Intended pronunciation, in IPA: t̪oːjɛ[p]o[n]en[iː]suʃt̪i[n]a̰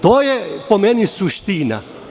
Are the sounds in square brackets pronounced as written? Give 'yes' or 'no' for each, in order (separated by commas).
yes, no, no, yes